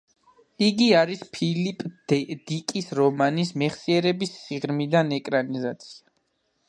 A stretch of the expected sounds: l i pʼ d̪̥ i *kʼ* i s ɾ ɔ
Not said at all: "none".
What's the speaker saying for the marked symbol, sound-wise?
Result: kʼ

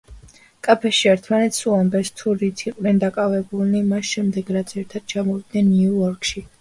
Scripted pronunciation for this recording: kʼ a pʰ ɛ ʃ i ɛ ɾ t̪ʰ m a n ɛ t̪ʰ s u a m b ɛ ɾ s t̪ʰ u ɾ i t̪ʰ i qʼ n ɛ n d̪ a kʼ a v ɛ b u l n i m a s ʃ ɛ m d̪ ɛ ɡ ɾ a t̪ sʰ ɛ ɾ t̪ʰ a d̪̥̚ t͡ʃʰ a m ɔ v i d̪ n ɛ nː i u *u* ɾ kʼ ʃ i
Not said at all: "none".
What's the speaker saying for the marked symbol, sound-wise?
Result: ɔ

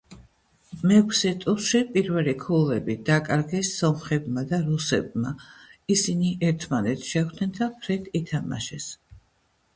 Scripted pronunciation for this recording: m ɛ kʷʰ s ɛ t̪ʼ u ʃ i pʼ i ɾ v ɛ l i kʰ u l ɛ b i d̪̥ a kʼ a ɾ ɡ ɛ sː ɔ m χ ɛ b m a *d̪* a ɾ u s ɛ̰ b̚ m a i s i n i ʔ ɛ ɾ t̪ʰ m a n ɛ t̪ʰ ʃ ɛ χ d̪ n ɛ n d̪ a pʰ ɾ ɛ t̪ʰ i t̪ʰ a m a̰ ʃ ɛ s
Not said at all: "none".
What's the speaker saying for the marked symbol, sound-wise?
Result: d̪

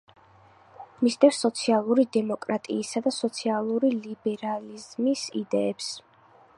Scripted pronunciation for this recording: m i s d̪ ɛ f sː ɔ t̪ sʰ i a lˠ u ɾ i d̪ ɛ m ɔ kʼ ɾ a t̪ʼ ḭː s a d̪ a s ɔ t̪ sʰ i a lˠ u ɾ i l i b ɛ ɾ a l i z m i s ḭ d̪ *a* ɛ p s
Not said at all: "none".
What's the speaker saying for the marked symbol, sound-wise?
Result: ɛ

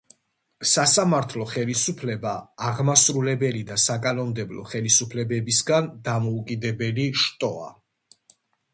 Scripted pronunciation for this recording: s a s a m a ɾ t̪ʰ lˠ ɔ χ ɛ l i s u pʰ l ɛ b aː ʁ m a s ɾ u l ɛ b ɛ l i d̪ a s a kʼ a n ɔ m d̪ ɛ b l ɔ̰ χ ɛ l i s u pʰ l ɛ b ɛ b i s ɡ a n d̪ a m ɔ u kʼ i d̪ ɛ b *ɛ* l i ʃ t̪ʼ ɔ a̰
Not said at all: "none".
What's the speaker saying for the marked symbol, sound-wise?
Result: ɛ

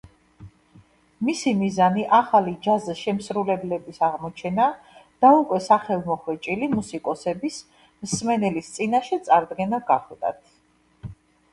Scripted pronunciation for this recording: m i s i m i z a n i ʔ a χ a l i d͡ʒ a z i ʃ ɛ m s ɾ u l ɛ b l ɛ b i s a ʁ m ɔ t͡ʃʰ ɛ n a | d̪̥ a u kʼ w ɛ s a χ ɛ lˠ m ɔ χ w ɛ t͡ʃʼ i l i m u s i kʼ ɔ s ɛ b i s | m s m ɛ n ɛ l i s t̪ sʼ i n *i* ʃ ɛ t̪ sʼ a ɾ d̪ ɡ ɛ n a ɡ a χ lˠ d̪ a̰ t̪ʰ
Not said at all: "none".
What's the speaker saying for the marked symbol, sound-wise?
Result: a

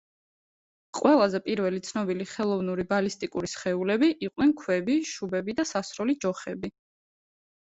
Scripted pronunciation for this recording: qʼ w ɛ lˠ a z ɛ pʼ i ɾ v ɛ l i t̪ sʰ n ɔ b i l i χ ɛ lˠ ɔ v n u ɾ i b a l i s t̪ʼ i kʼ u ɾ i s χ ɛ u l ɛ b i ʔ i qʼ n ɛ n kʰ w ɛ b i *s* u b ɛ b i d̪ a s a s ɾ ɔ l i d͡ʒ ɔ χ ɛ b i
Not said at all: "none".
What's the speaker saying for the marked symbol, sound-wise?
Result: ʃ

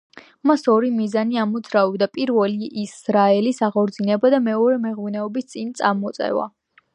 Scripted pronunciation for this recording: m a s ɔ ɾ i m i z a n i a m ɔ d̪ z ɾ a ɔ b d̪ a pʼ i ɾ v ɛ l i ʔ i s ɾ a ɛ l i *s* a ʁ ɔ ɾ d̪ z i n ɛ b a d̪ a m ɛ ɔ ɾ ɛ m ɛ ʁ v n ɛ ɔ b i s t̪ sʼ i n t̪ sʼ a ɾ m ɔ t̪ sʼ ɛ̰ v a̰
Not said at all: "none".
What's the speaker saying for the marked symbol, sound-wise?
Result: s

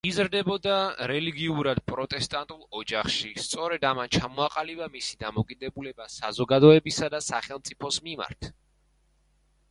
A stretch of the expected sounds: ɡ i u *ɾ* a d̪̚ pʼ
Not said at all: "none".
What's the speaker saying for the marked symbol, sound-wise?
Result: ɾ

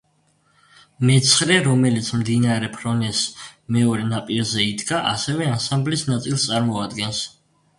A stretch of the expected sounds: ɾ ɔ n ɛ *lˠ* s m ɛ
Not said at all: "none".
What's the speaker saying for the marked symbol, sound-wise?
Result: none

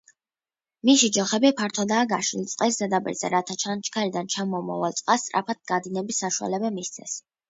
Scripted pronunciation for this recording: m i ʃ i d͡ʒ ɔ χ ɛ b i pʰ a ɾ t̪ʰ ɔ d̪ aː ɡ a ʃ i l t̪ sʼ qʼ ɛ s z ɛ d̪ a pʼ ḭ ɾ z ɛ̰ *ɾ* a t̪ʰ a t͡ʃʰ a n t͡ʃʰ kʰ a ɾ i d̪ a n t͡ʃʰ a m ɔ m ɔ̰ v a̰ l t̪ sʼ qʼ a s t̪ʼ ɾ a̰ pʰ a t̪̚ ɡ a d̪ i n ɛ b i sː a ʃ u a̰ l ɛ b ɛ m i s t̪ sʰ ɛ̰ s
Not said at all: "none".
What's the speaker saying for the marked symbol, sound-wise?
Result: ɾ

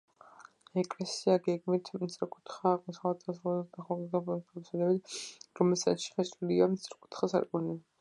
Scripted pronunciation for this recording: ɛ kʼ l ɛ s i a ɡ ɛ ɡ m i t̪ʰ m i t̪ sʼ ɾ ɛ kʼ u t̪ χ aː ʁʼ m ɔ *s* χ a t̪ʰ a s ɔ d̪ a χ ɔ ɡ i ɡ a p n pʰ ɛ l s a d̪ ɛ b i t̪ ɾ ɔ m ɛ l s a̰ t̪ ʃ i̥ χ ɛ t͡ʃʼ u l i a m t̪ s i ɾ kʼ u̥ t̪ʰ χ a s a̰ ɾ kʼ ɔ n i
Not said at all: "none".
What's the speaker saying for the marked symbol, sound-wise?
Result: s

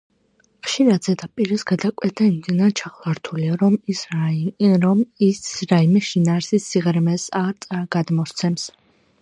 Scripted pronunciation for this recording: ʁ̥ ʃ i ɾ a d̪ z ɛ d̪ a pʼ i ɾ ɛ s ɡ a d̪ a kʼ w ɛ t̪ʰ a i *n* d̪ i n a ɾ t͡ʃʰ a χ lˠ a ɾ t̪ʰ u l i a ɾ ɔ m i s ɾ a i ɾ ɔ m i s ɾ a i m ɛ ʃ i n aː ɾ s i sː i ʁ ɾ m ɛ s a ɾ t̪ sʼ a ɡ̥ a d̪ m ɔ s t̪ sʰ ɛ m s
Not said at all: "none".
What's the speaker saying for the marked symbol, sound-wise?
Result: m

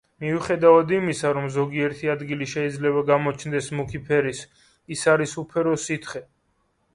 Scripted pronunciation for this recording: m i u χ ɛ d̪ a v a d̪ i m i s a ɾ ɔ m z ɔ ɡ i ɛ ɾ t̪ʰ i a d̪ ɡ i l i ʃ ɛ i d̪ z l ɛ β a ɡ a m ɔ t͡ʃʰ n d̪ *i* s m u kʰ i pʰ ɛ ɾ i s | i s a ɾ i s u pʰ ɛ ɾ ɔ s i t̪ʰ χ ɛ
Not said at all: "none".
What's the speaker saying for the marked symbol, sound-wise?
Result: ɛ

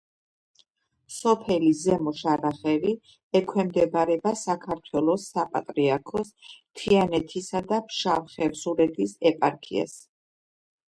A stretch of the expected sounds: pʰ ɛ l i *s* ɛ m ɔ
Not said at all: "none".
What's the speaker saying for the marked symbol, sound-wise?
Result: z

